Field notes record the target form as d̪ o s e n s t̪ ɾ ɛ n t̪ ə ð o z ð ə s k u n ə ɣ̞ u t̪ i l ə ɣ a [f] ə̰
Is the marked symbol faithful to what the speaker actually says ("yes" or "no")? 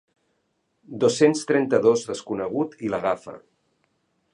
yes